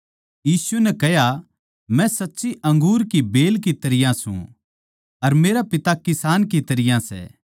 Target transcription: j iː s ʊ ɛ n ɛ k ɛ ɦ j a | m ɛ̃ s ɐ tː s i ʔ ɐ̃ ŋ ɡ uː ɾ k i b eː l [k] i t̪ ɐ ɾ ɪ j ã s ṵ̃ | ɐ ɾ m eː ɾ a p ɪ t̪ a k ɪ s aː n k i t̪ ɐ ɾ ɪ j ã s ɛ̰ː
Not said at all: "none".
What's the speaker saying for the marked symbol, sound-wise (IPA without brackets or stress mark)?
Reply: k